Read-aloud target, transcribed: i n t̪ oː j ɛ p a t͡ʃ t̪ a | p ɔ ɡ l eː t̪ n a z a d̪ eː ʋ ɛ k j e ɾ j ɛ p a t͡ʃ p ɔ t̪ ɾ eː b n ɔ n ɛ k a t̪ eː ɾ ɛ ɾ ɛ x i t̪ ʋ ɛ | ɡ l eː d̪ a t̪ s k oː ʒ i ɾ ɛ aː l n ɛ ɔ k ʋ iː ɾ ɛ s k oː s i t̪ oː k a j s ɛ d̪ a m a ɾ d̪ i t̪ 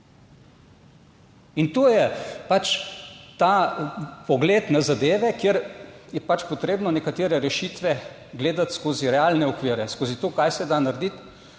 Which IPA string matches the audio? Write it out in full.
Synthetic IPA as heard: i n t̪ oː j ɛ p a t͡ʃ t̪ a | p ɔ ɡ l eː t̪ n a z a d̪ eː ʋ ɛ k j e ɾ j ɛ p a t͡ʃ p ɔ t̪ ɾ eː b n ɔ n ɛ k a t̪ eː ɾ ɛ ɾ ɛ ʃ i t̪ ʋ ɛ | ɡ l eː d̪ a t̪ s k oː z i ɾ ɛ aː l n ɛ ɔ k ʋ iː ɾ ɛ s k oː z i t̪ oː k a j s ɛ d̪ a n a ɾ d̪ i t̪